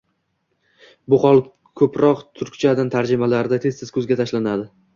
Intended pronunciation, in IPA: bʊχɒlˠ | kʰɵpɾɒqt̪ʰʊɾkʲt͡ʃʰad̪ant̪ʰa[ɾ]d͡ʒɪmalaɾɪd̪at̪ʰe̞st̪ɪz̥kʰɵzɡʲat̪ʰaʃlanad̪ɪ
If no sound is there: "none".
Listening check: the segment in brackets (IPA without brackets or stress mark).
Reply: ɾ